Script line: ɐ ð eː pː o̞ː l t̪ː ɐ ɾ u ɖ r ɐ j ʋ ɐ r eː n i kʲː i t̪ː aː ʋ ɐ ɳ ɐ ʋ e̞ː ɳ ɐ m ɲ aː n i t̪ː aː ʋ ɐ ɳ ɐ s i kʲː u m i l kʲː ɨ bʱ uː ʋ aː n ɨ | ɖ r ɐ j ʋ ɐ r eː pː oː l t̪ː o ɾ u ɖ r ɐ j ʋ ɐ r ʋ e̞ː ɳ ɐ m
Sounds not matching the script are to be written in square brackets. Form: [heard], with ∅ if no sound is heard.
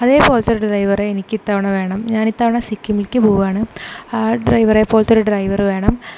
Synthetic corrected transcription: ɐ ð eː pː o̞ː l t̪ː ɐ ɾ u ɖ r ɐ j ʋ ɐ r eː n i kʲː i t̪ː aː ʋ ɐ ɳ ɐ ʋ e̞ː ɳ ɐ m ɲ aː n i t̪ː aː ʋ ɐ ɳ ɐ s i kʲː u m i l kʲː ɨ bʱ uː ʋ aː [ɳ] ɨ | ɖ r ɐ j ʋ ɐ r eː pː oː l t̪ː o ɾ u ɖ r ɐ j ʋ ɐ r ʋ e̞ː ɳ ɐ m